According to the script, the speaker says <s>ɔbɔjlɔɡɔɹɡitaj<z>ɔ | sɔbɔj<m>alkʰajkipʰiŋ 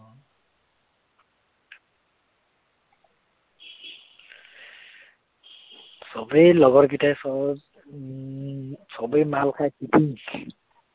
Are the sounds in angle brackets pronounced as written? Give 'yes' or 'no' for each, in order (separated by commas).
yes, no, yes